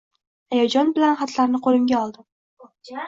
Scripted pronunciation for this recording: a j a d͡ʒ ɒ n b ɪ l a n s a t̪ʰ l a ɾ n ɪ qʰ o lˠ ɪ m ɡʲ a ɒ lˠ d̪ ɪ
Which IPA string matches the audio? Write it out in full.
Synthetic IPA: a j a d͡ʒ ɒ n b ɪ l a n χ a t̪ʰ l a ɾ n ɪ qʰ o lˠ ɪ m ɡʲ a ɒ lˠ d̪ ɪ